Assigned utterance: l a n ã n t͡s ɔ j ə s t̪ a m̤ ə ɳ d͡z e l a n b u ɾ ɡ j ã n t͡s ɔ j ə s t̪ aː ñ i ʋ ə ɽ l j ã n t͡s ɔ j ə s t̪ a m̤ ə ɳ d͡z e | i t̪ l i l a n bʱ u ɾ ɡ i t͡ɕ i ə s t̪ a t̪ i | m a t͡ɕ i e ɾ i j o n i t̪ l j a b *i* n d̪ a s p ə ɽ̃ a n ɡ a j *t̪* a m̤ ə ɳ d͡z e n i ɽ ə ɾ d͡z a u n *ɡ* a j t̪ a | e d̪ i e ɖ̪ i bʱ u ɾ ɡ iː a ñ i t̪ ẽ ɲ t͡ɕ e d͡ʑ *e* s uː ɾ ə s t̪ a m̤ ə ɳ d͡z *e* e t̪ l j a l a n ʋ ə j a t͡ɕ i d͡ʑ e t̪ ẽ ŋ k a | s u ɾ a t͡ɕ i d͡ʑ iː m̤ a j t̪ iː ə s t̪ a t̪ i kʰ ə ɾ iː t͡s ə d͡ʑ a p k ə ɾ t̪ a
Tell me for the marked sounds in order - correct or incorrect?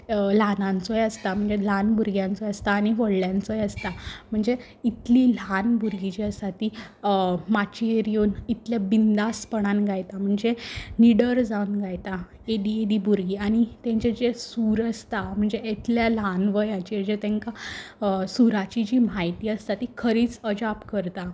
correct, correct, correct, correct, correct

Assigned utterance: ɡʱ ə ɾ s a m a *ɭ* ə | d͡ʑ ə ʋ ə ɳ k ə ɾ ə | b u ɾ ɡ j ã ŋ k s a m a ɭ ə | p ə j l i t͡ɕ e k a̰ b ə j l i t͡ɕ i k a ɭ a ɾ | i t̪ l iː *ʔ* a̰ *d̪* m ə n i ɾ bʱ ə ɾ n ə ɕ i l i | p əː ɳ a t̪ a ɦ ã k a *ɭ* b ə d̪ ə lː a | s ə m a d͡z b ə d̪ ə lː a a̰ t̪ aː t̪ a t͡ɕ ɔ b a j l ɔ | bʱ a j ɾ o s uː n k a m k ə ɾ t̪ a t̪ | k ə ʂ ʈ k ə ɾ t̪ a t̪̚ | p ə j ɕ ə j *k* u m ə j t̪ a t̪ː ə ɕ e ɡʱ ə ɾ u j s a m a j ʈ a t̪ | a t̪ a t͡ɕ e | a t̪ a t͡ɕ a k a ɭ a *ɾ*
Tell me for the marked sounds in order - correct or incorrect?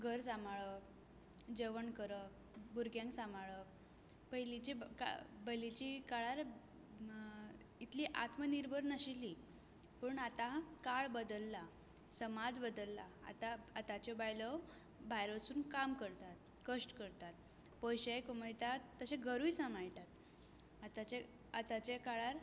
correct, correct, incorrect: t̪, correct, correct, correct

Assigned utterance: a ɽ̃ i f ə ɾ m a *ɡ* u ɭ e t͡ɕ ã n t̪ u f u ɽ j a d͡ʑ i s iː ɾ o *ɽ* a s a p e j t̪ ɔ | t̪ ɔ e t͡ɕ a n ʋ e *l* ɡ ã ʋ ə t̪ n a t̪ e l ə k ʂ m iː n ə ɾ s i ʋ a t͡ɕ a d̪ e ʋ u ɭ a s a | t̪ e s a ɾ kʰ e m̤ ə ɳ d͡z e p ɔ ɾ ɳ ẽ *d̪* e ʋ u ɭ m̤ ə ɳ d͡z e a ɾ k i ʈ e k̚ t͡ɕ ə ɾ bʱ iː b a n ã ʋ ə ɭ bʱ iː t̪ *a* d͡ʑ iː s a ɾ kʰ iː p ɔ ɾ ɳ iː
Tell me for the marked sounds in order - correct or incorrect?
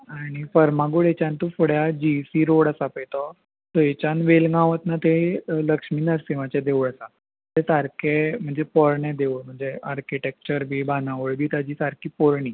correct, correct, correct, correct, correct

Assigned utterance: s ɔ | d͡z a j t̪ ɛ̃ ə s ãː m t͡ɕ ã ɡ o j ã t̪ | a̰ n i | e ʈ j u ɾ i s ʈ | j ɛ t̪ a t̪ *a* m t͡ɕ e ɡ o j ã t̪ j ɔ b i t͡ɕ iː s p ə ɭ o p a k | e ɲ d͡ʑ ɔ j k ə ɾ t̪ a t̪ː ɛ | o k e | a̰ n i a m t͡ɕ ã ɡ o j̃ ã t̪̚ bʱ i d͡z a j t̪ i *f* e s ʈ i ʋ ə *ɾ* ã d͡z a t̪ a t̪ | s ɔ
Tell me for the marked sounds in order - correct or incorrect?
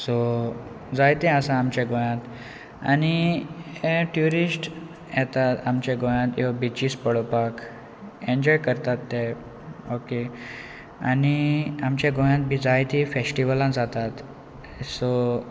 correct, correct, incorrect: l

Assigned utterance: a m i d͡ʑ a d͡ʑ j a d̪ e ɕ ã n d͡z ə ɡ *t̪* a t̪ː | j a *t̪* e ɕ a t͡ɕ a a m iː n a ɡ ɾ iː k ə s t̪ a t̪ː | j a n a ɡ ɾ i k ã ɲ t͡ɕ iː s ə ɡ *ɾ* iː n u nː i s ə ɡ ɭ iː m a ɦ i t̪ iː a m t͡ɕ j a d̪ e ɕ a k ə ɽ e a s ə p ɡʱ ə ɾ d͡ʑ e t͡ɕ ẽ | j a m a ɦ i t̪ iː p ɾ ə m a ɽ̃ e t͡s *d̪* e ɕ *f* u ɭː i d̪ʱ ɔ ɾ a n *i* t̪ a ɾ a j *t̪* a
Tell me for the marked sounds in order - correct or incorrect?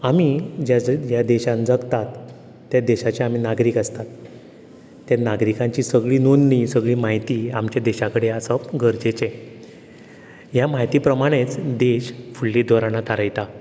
correct, incorrect: d̪, incorrect: ɭ, correct, correct, incorrect: a, correct

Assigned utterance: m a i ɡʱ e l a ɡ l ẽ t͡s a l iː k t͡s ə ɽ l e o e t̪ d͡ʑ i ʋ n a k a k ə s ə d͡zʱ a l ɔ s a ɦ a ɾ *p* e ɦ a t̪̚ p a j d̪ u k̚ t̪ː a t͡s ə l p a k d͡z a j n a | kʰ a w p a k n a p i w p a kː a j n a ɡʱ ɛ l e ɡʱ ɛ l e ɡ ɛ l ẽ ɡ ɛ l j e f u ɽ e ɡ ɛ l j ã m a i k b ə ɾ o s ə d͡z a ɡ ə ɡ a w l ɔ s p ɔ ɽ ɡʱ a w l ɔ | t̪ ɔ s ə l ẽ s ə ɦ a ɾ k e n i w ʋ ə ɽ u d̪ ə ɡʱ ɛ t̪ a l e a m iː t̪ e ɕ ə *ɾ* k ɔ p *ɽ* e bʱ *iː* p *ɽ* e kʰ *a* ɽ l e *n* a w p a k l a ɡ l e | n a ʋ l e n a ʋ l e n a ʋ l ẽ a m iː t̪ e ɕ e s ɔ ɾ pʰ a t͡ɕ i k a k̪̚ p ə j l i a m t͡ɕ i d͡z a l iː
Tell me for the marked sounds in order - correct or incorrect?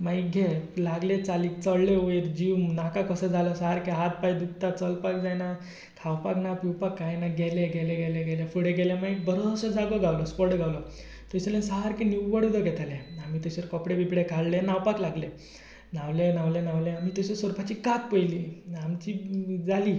incorrect: k, correct, correct, incorrect: i, correct, correct, correct

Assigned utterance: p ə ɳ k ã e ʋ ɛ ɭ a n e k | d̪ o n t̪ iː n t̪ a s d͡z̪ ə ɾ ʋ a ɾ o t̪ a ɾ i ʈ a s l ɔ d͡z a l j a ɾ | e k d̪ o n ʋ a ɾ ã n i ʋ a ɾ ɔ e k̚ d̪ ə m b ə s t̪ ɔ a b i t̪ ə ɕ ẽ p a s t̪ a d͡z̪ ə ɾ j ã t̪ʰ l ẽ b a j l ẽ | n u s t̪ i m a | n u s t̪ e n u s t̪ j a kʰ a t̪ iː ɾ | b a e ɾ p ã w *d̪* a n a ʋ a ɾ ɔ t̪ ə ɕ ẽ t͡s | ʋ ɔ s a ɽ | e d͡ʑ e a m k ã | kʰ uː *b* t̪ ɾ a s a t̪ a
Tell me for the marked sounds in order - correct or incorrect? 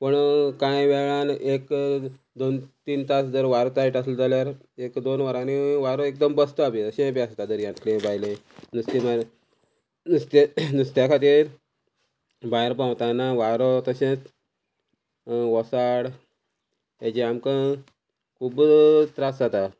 incorrect: t̪, correct

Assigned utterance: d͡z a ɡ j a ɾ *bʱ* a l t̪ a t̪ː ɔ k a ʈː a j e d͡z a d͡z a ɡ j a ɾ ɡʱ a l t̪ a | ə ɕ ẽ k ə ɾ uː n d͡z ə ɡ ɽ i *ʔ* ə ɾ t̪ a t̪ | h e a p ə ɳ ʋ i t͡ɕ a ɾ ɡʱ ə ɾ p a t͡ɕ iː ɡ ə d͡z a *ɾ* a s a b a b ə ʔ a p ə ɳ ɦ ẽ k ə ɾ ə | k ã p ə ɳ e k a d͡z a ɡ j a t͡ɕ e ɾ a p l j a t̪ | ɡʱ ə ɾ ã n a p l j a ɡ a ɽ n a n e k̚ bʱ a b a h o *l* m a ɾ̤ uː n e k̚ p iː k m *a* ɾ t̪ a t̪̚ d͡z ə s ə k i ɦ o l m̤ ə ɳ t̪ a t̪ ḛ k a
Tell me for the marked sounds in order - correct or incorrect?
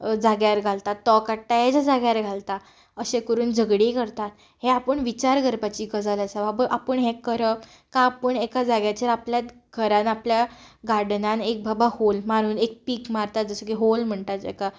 incorrect: ɡʱ, incorrect: k, incorrect: l, correct, correct

